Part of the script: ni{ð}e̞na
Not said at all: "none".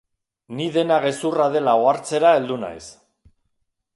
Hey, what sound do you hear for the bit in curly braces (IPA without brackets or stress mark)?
ð